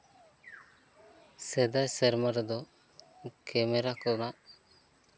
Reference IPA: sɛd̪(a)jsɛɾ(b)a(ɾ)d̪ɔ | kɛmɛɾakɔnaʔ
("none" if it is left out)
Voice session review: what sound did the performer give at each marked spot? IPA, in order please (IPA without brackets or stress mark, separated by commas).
a, m, ɾ